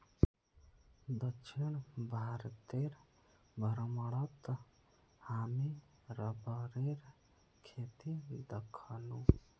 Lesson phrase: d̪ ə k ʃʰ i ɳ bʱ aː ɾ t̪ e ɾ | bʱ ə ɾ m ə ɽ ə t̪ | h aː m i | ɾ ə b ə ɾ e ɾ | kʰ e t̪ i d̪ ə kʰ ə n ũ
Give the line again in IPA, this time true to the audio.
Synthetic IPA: d̪ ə k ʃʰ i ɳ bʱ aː ɾ t̪ e ɾ | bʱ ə ɾ m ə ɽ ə t̪ | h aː m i | ɾ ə b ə ɾ e ɾ | kʰ e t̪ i d̪ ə kʰ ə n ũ